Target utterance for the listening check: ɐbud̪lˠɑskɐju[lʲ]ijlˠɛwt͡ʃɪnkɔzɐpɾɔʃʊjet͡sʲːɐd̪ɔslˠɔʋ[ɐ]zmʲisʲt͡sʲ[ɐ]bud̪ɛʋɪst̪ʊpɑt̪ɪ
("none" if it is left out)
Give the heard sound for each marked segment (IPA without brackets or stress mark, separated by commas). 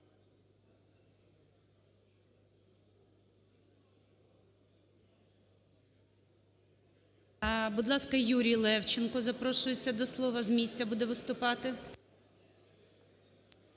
ɾʲ, ɐ, ɐ